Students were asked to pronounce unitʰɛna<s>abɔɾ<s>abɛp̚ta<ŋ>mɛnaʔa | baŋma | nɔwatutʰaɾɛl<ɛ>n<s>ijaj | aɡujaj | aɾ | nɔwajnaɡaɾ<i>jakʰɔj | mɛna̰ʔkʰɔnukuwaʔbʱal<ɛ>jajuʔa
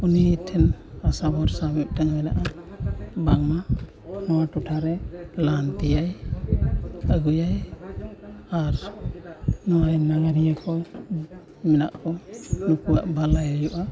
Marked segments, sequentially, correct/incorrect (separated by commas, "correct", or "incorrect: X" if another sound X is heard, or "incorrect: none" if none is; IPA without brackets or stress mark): correct, correct, correct, incorrect: a, incorrect: t, correct, incorrect: a